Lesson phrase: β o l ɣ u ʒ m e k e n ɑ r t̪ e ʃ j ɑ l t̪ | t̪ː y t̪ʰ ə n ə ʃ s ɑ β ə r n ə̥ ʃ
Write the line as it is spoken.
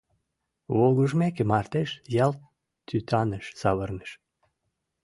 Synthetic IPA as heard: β o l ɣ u ʒ m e k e m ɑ r t̪ e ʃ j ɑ l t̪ | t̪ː y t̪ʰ ɑ n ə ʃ s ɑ β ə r n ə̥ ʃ